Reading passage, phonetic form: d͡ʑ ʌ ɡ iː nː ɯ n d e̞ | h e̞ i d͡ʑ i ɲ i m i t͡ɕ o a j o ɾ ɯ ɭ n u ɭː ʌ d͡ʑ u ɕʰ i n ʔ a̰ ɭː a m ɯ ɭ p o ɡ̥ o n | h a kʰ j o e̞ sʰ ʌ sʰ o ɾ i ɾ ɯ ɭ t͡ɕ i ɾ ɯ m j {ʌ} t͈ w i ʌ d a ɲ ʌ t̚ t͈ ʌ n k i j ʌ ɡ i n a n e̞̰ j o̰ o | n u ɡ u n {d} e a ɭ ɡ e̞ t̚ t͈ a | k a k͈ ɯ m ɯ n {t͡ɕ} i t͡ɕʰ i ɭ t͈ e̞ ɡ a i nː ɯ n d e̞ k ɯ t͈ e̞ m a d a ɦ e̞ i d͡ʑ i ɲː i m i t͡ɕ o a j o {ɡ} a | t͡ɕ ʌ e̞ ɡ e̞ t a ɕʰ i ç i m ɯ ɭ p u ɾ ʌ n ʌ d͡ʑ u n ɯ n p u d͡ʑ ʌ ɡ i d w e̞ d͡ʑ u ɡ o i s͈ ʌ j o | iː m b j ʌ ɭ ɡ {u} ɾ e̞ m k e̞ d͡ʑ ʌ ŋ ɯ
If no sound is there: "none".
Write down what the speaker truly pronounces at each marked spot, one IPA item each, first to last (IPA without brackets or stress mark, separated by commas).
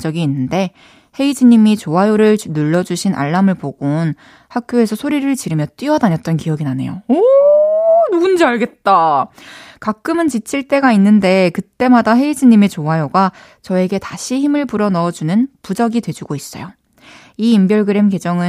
ʌ, d͡ʑ, t͡ɕ, ɡ, ɯ